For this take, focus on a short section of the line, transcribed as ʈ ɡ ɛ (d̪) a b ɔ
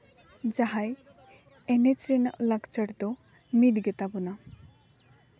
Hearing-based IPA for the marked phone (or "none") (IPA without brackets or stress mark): t̪